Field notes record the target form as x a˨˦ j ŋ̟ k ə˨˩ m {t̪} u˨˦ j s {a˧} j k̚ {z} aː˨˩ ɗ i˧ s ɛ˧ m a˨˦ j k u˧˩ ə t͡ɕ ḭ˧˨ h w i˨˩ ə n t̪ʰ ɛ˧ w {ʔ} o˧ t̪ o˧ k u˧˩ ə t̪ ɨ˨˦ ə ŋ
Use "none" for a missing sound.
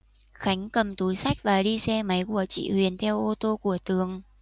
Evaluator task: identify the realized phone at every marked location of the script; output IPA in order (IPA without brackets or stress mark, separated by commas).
t̪, a˦˥, v, ʔ